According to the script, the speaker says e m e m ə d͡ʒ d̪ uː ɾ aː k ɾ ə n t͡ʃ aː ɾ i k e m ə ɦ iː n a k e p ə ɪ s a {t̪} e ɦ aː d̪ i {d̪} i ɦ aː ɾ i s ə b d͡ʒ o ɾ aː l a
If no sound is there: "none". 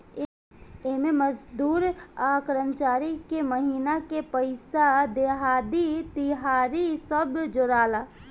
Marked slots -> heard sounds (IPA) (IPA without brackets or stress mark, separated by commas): d̪, t̪